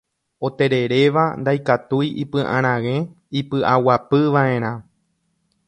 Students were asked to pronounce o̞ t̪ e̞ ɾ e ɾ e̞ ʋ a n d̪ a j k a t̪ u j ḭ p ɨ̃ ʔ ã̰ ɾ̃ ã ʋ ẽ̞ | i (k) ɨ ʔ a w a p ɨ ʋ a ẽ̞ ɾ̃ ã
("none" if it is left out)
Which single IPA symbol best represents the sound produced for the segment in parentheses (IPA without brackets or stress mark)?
p